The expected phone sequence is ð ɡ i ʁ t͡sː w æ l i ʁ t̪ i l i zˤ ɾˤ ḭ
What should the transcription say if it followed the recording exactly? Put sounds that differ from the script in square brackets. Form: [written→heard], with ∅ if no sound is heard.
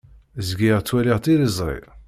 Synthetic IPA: [ð→z] ɡ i ʁ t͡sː w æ l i ʁ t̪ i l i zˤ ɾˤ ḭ

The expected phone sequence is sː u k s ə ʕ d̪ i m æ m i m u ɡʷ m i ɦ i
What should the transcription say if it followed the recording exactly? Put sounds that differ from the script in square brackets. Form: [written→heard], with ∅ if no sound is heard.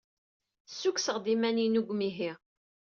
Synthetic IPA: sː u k s ə [ʕ→ʁ] d̪ i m æ [m→n] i [m→n] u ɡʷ m i ɦ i

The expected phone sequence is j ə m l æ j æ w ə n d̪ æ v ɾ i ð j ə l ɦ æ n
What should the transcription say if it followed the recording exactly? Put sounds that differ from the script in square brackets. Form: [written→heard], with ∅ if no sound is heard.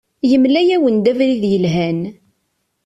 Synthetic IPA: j ə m l æ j æ w ə n d̪ æ v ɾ i ð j ə l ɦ æ n

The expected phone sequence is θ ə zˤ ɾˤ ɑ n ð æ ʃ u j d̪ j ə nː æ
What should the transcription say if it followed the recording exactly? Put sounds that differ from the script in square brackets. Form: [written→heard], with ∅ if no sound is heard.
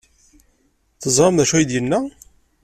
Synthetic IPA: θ ə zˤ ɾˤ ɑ [n→m] ð æ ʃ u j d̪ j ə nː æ

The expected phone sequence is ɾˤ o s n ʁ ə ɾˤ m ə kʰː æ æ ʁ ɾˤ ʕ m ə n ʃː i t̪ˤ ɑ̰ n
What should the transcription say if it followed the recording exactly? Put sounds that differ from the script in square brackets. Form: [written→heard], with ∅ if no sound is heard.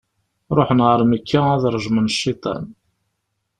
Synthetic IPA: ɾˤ o [s→ħ] n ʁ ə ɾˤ m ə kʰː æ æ [ʁ→ð] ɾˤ [ʕ→ʒ] m ə n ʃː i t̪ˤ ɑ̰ n

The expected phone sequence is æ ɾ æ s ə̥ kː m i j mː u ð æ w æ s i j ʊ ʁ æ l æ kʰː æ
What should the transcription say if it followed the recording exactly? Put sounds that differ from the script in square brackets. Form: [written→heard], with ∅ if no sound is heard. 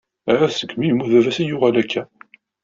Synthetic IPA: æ ɾ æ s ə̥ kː m i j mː u ð æ [w→v] æ s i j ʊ ʁ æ l æ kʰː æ

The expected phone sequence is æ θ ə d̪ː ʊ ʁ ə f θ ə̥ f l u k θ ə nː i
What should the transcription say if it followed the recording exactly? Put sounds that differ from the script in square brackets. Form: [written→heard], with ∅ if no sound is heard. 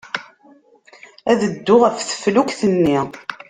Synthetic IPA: æ [θ→ð] ə d̪ː ʊ ʁ ə f θ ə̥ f l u k θ ə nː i

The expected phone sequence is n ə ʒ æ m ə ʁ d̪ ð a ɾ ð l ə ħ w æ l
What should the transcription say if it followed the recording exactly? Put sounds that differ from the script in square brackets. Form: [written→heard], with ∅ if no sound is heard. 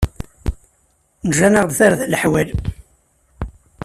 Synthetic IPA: n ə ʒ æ [m→n] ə ʁ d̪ [ð→θ] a ɾ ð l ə ħ w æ l

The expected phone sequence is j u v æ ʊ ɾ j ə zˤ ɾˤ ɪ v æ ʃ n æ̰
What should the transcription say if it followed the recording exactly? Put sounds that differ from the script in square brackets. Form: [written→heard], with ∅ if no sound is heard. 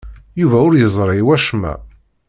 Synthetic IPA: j u v æ ʊ ɾ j ə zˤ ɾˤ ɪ [v→w] æ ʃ [n→m] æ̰

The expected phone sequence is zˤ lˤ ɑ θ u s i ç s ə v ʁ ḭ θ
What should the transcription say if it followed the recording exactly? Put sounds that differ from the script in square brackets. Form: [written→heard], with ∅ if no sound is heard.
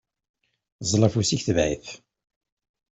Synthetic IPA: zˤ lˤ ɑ [θ→f] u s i ç [s→θ] ə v [ʁ→ʕ] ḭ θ

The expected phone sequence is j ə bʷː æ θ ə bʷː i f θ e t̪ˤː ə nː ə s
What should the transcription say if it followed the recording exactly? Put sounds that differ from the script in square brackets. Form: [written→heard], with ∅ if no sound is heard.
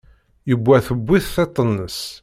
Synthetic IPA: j ə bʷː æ θ ə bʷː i [f→θ] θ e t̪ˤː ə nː ə s

